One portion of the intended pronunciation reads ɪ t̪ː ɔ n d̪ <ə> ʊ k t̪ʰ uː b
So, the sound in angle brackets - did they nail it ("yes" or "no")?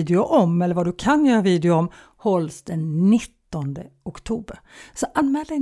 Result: yes